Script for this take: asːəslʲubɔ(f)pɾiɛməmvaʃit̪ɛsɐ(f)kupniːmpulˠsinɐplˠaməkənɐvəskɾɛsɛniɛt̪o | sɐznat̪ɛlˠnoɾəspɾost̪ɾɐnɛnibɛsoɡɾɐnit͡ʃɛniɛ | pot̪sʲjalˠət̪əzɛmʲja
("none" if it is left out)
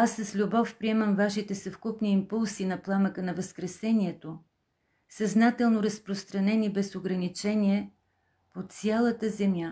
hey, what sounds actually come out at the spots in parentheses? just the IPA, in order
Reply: f, f

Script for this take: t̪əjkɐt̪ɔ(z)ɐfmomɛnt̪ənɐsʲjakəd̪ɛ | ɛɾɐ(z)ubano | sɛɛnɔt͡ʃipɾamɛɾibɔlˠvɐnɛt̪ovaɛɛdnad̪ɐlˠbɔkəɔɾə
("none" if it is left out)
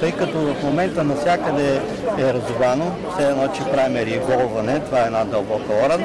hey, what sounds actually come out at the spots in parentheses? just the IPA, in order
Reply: v, z

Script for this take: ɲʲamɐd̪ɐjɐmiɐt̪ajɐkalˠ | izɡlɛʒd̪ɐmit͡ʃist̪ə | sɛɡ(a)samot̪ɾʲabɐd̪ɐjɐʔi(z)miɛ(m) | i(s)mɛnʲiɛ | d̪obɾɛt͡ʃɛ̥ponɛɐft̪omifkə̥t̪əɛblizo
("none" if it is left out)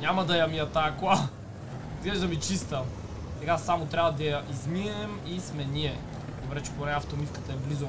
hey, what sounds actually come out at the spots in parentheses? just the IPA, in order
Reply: a, z, m, s

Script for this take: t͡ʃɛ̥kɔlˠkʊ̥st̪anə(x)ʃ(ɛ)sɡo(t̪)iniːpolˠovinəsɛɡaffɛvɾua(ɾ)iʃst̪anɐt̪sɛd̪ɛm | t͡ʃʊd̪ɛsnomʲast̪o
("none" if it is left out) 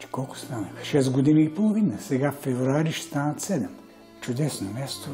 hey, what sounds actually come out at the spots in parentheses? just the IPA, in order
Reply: x, ɛ, d̪, ɾ

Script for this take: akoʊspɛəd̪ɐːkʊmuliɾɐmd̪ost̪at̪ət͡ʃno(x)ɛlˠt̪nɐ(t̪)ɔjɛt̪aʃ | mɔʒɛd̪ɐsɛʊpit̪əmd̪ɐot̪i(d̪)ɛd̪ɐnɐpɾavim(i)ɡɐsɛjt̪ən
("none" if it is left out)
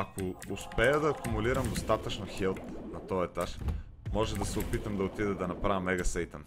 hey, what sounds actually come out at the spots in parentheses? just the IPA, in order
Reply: x, t̪, d̪, ɛ

